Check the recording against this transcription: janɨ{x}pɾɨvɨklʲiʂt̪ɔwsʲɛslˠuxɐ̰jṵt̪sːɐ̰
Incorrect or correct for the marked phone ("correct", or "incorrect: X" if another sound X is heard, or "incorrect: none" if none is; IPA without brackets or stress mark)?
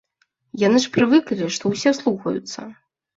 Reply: incorrect: ʂ